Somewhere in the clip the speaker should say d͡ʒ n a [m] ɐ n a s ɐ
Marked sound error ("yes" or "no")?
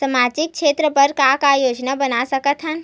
yes